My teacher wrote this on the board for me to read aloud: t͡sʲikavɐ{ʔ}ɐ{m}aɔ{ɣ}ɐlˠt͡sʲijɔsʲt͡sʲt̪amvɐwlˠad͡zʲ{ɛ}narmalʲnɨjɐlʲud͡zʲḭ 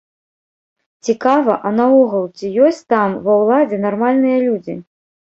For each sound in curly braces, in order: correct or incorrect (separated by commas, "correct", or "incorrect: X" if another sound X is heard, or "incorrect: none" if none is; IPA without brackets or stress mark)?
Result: correct, incorrect: n, correct, correct